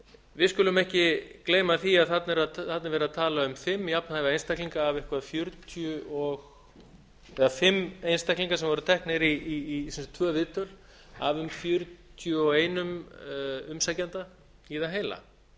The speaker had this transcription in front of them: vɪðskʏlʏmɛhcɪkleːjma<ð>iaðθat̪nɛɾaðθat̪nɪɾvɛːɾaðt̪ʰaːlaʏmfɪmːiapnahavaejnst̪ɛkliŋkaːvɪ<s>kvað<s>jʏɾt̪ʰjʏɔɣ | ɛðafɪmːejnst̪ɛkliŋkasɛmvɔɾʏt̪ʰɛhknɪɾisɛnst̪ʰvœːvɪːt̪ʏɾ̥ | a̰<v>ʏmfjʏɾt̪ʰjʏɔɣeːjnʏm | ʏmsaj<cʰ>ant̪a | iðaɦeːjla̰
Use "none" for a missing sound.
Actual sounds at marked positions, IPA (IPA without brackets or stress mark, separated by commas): θ, h, f, v, c